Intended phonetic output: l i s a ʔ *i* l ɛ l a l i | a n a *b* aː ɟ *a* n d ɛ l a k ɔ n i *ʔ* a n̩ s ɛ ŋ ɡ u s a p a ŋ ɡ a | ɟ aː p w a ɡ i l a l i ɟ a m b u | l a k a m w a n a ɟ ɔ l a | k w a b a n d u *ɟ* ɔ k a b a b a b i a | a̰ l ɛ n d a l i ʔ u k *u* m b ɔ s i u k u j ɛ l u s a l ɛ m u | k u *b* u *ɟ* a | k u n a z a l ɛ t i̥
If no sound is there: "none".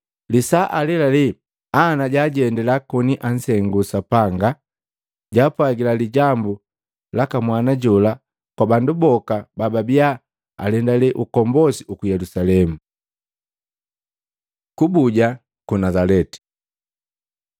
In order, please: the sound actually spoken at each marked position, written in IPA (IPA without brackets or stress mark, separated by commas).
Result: a, ɟ, ɛ, ʔ, b, ɔ, b, ɟ